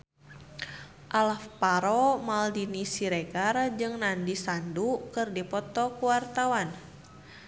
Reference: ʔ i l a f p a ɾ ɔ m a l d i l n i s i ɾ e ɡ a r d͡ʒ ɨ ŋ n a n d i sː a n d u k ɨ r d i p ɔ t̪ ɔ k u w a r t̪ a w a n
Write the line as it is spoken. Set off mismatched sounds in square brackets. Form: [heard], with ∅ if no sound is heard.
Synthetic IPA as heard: ʔ [a] l a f p a ɾ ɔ m a l d i [∅] n i s i ɾ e ɡ a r d͡ʒ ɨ ŋ n a n d i [s] a n d u k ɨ r d i p ɔ t̪ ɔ k u w a r t̪ a w a n